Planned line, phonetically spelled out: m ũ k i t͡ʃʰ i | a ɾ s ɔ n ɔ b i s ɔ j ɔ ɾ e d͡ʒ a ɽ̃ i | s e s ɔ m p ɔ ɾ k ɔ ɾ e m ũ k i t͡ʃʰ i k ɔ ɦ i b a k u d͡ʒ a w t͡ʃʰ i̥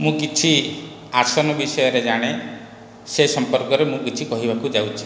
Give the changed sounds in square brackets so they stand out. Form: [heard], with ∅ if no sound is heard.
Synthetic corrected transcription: m ũ k i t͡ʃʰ i | a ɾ s ɔ n ɔ b i s ɔ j ɔ ɾ e d͡ʒ a ɽ̃ [e] | s e s ɔ m p ɔ ɾ k ɔ ɾ e m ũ k i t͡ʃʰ i k ɔ ɦ i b a k u d͡ʒ a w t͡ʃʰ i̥